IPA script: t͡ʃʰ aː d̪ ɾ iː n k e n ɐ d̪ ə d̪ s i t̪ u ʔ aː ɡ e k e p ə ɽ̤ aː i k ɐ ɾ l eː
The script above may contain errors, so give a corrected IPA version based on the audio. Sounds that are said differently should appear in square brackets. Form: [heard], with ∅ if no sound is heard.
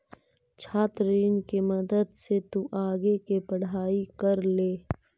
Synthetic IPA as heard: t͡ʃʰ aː [t̪] ɾ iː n k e [m] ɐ d̪ ə d̪ s [e] t̪ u ʔ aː ɡ e k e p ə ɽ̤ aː i k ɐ ɾ l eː